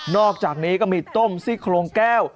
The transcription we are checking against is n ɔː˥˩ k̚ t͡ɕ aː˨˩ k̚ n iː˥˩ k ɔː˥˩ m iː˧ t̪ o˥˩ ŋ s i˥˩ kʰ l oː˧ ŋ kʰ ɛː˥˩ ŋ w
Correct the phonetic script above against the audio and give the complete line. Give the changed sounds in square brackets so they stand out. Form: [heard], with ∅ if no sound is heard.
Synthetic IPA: n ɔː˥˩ k̚ t͡ɕ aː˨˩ k̚ n [iː˦˥] k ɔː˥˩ m iː˧ t̪ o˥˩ [m] s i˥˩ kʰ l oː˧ ŋ [k] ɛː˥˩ [∅] w